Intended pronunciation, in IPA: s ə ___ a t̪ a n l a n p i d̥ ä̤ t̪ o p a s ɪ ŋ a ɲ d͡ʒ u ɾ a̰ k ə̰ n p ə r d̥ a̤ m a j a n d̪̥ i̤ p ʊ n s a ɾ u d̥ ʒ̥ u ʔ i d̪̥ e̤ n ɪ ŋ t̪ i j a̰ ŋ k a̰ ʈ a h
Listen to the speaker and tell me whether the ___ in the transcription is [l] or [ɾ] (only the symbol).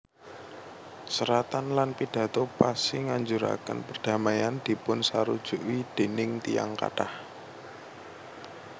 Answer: ɾ